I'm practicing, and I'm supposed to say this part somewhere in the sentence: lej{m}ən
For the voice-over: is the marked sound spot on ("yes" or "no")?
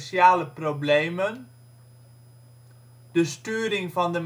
yes